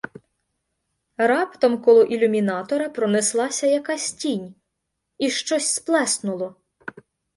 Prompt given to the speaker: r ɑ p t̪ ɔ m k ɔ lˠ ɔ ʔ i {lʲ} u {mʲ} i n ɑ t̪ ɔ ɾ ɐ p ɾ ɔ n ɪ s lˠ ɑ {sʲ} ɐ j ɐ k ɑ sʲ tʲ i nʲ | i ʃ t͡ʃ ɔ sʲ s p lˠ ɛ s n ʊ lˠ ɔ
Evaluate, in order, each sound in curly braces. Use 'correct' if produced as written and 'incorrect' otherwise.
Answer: correct, correct, correct

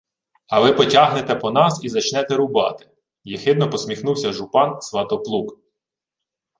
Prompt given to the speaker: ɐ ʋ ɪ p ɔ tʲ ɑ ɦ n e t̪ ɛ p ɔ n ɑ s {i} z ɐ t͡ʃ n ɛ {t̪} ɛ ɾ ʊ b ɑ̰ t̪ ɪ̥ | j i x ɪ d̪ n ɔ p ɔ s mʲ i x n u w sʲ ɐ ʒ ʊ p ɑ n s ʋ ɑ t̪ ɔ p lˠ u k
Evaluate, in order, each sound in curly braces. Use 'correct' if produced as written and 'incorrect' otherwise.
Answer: correct, correct

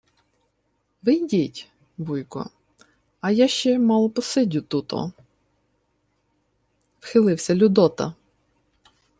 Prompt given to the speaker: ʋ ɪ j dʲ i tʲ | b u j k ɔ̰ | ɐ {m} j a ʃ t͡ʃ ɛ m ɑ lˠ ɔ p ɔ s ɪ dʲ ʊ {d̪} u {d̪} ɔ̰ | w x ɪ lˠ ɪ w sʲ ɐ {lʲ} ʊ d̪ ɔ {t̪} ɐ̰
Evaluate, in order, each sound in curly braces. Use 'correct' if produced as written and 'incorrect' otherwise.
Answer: incorrect: none, incorrect: t̪, incorrect: t̪, correct, correct

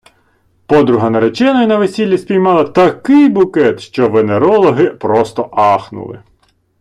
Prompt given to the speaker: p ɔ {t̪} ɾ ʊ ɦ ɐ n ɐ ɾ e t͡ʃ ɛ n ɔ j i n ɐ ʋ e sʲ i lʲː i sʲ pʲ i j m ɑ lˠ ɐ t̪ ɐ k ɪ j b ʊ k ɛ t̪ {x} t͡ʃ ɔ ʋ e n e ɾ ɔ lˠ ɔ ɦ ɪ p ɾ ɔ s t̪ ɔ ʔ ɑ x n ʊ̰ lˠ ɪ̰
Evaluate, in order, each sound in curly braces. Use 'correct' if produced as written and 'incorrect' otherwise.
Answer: incorrect: d̪, incorrect: ʃ

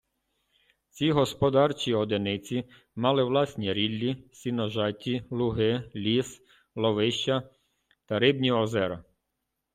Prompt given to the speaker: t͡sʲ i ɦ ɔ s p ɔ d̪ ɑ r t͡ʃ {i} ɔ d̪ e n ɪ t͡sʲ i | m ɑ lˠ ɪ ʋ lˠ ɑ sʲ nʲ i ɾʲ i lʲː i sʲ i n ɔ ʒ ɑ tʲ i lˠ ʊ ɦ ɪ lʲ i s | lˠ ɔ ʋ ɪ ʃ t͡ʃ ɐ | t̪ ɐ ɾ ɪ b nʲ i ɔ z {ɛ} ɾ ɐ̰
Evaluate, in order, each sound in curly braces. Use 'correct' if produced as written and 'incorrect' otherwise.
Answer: correct, correct

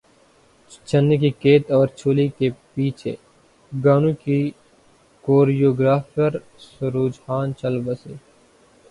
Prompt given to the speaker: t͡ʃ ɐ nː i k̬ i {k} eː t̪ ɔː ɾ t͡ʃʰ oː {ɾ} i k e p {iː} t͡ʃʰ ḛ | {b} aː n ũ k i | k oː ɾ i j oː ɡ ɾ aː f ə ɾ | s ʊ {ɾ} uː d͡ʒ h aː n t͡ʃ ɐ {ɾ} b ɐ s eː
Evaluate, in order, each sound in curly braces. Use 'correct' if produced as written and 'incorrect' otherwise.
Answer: correct, incorrect: l, correct, incorrect: ɡ, correct, incorrect: l

